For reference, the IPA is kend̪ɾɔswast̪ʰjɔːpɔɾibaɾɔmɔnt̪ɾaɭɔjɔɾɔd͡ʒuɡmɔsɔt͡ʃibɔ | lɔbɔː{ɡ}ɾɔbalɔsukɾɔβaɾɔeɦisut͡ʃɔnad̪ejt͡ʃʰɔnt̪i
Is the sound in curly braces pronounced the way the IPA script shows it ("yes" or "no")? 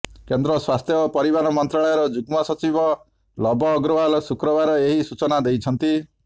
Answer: yes